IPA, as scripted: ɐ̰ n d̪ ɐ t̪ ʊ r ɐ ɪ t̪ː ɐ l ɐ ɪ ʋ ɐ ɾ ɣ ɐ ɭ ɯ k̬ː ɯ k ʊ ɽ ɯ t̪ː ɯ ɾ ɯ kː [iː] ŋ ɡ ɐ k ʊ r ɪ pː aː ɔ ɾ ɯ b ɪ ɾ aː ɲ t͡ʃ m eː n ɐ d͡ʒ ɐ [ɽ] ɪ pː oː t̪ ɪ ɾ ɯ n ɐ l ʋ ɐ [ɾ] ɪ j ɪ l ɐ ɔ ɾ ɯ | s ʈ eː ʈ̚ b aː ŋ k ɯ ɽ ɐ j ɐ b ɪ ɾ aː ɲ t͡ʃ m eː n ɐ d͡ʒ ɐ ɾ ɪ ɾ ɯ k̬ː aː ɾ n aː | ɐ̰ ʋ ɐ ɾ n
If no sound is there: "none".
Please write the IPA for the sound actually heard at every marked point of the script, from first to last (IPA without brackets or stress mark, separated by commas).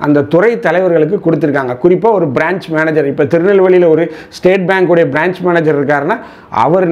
aː, ɾ, ɭ